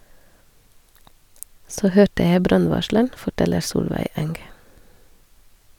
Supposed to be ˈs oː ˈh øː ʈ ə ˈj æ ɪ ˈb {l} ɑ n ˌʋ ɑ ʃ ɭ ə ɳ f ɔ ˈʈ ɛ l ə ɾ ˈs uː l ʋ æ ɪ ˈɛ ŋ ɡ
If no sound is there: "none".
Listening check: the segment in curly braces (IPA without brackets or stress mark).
ɾ